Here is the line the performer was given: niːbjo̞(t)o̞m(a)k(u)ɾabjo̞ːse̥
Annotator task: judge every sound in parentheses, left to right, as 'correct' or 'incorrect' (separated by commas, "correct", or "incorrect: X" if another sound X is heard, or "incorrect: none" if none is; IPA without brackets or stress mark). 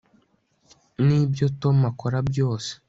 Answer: correct, correct, incorrect: o